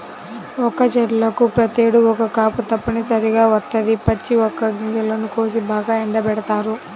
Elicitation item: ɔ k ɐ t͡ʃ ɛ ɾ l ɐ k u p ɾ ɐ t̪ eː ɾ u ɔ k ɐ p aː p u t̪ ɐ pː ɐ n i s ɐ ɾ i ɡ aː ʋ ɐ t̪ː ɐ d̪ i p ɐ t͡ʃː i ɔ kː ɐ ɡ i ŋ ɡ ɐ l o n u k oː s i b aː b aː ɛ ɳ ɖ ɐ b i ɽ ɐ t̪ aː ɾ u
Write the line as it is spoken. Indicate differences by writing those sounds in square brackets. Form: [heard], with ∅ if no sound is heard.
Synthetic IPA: ɔ k ɐ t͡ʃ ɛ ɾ l ɐ k u p ɾ ɐ t̪ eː [ɽ] u ɔ k ɐ [k] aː p u t̪ ɐ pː ɐ n i s ɐ ɾ i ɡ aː ʋ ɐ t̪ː ɐ d̪ i p ɐ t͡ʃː i ɔ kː ɐ ɡ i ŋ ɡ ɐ l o n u k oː s i b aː [ɡ] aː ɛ ɳ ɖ ɐ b [ɛ] ɽ ɐ t̪ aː ɾ u